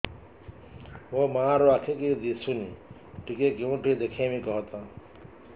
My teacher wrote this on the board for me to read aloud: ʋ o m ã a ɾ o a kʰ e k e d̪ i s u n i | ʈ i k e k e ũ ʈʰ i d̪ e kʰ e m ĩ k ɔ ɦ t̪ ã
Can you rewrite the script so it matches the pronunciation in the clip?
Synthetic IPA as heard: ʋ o m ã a ɾ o a kʰ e k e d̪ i s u n i | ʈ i k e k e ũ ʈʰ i d̪ e kʰ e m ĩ k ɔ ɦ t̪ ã